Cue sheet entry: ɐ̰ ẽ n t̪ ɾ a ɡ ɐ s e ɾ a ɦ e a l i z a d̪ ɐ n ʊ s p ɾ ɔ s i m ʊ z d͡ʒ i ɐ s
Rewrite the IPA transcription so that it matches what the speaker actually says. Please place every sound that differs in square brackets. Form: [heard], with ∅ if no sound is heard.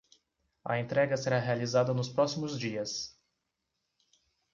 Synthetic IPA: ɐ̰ ẽ n t̪ ɾ [ɛ] ɡ ɐ s e ɾ a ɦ e a l i z a d̪ ɐ n ʊ s p ɾ ɔ s i m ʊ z d͡ʒ i ɐ s